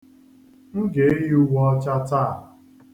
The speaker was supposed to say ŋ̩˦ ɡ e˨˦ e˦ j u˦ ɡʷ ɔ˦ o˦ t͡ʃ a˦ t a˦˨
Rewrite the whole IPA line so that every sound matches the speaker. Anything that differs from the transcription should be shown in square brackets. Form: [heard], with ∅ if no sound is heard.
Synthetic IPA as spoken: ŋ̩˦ ɡ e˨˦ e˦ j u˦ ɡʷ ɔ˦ [ɔ˦] t͡ʃ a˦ t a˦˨